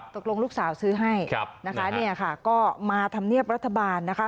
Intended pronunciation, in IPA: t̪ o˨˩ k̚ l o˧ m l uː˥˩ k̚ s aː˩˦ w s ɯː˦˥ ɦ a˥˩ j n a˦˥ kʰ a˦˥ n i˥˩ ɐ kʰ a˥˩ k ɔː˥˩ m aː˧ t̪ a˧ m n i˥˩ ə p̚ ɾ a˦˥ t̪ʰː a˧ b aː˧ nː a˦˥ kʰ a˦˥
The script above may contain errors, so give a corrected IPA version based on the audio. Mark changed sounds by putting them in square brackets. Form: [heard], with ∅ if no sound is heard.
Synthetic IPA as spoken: t̪ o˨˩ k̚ l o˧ [ŋ] l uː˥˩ k̚ s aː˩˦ w s ɯː˦˥ ɦ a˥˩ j n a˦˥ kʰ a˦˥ n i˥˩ ɐ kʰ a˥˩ k ɔː˥˩ m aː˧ [t̪ʰ] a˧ m n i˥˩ ə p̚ ɾ a˦˥ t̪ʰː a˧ b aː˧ nː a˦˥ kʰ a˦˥